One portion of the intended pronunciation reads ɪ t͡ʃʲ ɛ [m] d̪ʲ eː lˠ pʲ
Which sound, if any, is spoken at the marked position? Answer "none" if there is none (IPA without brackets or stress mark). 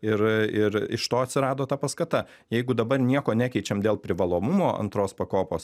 m